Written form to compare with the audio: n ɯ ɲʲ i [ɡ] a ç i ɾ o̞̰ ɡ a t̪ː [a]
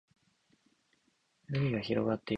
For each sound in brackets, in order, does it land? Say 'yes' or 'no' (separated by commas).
yes, no